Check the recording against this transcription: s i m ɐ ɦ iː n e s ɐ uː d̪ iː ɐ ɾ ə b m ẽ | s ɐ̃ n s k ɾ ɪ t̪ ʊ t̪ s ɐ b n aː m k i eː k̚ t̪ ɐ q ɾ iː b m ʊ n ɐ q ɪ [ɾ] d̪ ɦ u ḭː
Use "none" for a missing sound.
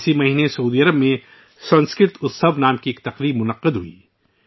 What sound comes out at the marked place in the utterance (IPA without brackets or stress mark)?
none